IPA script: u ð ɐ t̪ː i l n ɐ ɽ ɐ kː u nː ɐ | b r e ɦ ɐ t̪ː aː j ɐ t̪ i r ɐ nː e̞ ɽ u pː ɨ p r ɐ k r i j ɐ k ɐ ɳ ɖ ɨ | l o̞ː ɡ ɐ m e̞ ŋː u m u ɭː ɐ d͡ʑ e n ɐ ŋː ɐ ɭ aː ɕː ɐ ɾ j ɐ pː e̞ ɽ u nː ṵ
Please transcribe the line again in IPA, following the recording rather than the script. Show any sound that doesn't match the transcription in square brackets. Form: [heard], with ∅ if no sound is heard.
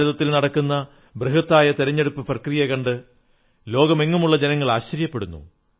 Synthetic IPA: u ð ɐ t̪ː i l n ɐ ɽ ɐ kː u nː ɐ | b r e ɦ ɐ t̪ː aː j ɐ t̪ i [ɾ] ɐ [ɲː] e̞ ɽ u pː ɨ p r ɐ k r i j ɐ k ɐ ɳ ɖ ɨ | l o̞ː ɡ ɐ m e̞ ŋː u m u ɭː ɐ d͡ʑ e n ɐ ŋː ɐ ɭ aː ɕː ɐ ɾ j ɐ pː e̞ ɽ u nː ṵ